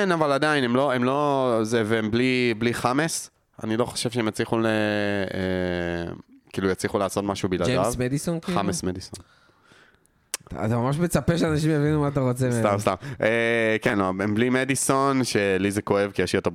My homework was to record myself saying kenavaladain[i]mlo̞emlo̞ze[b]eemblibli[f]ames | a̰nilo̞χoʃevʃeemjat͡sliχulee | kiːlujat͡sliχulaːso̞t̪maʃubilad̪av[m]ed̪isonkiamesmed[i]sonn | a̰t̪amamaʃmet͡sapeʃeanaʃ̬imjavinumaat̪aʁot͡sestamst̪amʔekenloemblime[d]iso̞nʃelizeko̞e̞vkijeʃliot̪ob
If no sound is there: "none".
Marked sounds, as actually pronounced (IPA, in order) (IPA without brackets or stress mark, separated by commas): e, v, χ, m, i, d